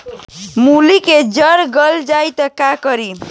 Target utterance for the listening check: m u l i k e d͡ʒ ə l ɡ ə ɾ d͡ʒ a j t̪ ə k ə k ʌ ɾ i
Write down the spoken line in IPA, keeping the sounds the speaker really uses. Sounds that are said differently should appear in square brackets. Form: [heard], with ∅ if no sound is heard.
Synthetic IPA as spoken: m u l i k e d͡ʒ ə [ɾ] ɡ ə [l] d͡ʒ a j t̪ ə k [a] k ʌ ɾ i